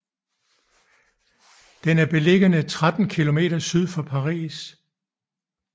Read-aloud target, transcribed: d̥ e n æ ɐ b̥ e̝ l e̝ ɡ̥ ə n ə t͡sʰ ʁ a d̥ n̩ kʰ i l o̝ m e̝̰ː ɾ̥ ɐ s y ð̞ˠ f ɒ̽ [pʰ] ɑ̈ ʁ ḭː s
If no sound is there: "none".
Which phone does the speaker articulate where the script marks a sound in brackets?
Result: pʰ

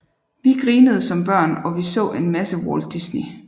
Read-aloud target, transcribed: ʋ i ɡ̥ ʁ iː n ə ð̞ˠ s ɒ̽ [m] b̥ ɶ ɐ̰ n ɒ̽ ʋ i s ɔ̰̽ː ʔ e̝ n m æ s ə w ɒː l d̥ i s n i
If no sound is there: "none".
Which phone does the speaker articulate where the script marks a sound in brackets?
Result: m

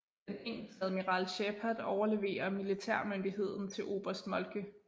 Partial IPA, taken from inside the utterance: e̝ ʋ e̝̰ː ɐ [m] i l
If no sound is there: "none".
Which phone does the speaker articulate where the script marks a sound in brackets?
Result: m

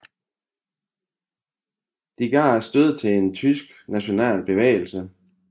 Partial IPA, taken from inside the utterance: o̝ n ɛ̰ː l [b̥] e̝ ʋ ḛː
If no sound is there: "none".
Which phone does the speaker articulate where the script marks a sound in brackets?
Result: b̥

